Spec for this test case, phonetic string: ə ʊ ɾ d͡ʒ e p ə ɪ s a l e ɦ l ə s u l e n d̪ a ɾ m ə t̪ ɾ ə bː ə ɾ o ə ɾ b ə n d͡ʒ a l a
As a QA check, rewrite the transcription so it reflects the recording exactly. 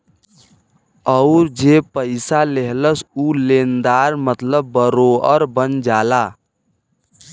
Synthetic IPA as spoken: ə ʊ ɾ d͡ʒ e p ə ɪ s a l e ɦ l ə s u l e n d̪ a ɾ m ə t̪ l ə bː ə ɾ o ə ɾ b ə n d͡ʒ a l a